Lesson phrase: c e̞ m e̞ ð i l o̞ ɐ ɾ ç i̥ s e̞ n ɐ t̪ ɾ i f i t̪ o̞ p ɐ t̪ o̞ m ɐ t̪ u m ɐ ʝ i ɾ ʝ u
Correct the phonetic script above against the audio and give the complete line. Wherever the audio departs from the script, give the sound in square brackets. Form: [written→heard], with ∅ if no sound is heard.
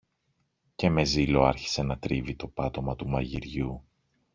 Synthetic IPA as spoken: c e̞ m e̞ [ð→z] i l o̞ ɐ ɾ ç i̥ s e̞ n ɐ t̪ ɾ i [f→v] i t̪ o̞ p ɐ t̪ o̞ m ɐ t̪ u m ɐ ʝ i ɾ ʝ u